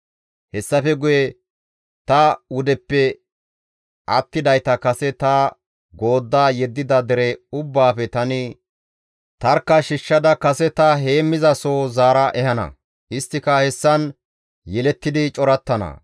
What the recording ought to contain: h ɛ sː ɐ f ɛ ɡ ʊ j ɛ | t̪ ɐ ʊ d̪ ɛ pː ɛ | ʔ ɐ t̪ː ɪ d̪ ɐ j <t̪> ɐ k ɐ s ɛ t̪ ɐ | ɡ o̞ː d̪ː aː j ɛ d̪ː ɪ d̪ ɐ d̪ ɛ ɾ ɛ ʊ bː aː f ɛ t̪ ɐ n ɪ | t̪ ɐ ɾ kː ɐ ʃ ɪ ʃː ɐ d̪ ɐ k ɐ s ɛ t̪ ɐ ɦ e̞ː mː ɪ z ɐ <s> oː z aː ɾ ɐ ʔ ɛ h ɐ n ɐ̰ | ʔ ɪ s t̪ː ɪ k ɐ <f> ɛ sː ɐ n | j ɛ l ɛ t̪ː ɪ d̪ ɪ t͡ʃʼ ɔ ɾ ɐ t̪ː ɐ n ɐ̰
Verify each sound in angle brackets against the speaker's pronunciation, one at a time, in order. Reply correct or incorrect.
correct, correct, incorrect: h

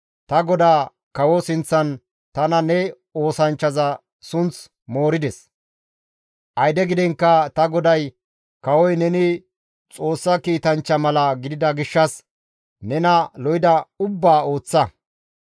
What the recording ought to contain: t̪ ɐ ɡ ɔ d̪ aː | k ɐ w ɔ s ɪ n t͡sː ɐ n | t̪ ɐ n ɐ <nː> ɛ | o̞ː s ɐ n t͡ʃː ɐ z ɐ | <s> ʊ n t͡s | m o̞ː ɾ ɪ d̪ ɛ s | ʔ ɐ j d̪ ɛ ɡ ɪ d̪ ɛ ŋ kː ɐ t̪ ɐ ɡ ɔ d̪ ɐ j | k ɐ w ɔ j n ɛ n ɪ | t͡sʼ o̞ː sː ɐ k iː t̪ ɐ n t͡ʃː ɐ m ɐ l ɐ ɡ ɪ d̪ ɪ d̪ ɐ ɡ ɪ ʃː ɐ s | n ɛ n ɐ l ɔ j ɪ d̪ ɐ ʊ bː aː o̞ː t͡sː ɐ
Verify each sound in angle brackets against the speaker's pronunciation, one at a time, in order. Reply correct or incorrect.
incorrect: n, correct

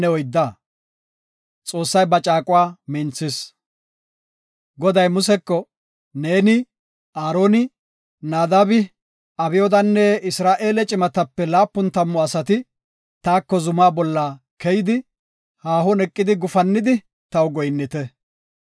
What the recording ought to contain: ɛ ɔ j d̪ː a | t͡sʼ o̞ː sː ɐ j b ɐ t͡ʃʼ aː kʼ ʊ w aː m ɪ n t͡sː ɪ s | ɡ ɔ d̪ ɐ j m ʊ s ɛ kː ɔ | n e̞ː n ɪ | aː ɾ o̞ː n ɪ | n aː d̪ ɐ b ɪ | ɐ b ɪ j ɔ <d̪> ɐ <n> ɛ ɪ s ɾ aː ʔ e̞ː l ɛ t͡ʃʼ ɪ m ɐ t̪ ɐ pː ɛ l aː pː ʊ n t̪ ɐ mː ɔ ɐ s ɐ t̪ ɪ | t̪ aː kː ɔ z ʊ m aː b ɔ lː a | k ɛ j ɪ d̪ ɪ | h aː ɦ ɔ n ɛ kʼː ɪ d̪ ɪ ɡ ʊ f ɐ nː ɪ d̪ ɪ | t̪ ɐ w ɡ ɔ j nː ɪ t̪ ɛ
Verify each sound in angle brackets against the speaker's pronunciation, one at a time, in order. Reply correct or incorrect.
correct, incorrect: nː

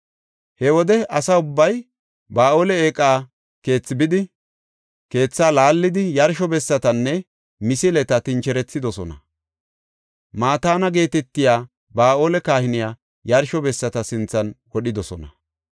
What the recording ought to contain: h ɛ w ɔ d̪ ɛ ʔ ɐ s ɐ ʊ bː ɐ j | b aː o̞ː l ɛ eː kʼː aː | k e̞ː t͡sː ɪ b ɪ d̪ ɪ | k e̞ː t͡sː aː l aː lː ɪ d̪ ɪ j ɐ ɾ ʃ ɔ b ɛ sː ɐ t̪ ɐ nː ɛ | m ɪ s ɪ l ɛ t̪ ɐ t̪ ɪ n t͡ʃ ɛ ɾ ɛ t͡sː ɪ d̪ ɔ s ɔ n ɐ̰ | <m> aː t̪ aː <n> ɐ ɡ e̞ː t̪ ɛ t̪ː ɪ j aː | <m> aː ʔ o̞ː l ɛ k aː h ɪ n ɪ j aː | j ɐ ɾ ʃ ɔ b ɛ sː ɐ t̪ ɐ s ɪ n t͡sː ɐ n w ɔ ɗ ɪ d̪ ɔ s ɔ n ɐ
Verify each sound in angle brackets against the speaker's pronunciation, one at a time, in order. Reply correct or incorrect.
correct, correct, incorrect: b

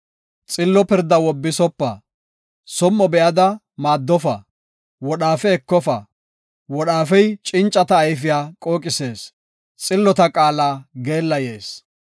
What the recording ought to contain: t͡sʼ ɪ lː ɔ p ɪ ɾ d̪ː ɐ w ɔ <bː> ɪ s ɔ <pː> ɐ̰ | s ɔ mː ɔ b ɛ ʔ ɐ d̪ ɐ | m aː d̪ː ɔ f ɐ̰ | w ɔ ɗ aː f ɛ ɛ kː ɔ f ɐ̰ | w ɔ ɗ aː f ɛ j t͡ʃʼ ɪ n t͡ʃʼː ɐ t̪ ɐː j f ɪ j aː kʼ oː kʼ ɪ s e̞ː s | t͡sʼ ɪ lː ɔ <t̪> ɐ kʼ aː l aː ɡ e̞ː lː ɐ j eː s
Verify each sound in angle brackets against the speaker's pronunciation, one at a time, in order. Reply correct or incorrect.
correct, correct, correct

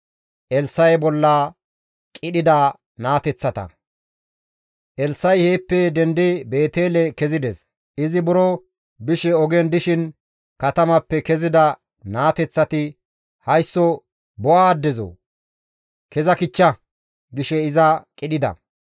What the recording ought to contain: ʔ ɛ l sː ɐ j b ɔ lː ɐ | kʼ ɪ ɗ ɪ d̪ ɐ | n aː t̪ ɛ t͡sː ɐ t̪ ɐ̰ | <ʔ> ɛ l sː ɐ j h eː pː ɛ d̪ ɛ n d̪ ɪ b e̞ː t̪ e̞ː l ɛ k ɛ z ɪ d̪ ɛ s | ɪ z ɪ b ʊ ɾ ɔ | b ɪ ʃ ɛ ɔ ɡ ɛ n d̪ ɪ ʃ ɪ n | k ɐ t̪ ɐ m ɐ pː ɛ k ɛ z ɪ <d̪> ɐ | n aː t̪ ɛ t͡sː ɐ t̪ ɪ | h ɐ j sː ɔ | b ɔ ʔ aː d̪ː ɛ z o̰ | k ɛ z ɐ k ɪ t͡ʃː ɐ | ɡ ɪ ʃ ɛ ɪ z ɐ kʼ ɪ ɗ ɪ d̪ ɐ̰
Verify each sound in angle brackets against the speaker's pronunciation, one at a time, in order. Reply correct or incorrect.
correct, correct

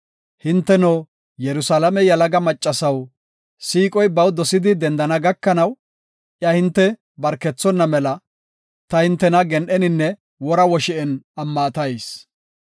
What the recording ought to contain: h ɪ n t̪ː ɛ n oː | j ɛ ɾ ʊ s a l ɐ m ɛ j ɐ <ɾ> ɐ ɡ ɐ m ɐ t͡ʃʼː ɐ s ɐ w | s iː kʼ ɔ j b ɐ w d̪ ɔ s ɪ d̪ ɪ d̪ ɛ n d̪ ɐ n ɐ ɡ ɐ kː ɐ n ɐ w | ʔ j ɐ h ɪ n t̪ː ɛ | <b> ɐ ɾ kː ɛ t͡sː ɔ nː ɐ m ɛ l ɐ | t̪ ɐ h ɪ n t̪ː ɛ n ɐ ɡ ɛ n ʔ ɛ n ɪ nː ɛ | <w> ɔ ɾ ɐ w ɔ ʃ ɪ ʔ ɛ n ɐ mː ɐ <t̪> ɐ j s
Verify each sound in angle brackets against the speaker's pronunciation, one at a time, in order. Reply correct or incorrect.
incorrect: l, correct, correct, correct

